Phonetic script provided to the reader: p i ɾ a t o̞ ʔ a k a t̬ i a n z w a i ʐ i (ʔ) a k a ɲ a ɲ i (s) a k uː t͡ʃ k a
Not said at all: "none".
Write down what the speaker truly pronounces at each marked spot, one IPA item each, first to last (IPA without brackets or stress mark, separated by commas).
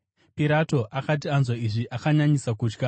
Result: ʔ, s